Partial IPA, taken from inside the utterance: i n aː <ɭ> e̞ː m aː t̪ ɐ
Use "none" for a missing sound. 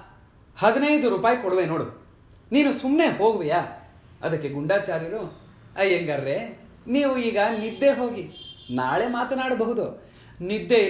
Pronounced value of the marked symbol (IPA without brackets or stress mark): ɭ